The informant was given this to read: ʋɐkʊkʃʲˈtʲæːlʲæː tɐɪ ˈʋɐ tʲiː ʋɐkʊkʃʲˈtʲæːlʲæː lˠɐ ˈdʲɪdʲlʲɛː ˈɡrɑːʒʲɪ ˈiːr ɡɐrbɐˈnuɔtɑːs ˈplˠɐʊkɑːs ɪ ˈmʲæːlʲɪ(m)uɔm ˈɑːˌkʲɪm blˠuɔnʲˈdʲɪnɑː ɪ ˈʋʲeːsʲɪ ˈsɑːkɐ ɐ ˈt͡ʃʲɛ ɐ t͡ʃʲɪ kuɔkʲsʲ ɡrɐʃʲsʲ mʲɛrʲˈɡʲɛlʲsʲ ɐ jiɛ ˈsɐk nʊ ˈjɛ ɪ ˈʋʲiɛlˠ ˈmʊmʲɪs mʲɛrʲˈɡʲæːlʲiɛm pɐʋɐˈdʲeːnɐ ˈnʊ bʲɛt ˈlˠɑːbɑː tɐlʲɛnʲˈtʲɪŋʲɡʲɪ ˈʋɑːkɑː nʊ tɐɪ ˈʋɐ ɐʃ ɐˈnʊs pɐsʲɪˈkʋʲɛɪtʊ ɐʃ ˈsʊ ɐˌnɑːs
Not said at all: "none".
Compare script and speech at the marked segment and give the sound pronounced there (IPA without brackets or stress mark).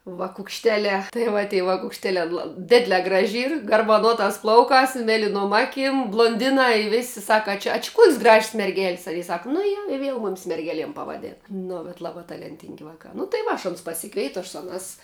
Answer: n